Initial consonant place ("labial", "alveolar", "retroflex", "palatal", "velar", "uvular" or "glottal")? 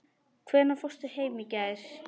velar